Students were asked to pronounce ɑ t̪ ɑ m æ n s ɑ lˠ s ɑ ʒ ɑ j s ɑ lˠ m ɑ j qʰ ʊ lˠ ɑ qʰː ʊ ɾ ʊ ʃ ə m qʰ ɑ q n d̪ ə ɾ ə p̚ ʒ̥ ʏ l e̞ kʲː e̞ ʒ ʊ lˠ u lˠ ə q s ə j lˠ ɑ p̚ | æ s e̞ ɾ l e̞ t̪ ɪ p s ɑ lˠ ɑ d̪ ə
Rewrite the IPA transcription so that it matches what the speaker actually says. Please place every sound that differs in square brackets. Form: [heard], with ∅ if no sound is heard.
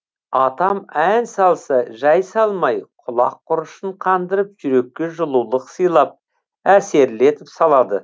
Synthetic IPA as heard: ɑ t̪ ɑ m æ n s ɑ lˠ s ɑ ʒ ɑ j s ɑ lˠ m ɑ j qʰ ʊ lˠ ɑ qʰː ʊ ɾ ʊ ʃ ə [ɴ] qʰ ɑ [∅] n d̪ ə ɾ ə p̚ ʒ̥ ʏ [ɾ] e̞ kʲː e̞ ʒ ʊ lˠ u lˠ ə q s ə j lˠ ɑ p̚ | æ s e̞ ɾ l e̞ t̪ ɪ p s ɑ lˠ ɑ d̪ ə